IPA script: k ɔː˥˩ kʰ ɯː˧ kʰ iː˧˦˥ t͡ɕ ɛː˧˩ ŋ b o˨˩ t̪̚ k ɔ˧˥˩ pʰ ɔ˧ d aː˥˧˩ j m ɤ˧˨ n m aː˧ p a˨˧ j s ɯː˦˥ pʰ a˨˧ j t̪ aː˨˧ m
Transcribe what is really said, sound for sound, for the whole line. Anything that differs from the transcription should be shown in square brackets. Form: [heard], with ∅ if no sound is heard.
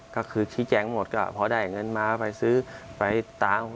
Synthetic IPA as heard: k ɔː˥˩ kʰ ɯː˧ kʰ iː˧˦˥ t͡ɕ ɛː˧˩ ŋ [m] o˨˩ t̪̚ k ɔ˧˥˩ pʰ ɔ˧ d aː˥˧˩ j [ŋ] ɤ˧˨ n m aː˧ p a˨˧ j s ɯː˦˥ [p] a˨˧ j t̪ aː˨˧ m